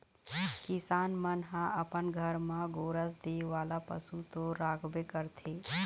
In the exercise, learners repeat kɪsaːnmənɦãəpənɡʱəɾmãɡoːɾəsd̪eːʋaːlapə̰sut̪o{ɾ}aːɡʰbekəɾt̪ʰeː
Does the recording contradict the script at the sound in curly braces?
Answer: no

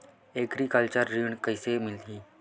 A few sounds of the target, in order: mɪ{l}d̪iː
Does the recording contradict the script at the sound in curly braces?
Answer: no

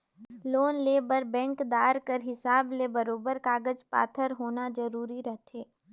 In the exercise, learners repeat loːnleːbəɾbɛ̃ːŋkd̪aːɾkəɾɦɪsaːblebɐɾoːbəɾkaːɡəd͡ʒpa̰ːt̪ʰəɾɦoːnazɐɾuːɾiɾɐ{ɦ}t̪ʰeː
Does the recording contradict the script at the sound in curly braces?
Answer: no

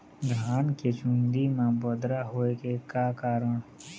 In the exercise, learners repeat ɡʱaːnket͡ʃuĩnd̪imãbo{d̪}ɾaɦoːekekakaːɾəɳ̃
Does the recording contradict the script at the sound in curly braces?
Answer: no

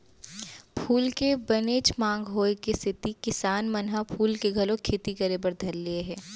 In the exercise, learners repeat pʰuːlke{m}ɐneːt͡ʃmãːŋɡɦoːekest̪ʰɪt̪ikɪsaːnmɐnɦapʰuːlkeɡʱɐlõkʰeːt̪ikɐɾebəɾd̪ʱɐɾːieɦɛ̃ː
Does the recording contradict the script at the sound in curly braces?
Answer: yes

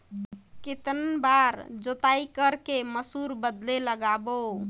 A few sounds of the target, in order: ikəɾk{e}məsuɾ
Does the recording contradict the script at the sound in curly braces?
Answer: no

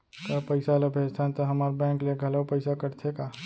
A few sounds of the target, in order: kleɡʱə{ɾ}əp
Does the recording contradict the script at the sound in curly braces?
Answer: yes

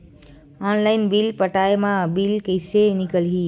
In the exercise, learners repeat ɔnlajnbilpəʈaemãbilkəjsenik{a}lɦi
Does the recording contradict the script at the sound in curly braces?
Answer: yes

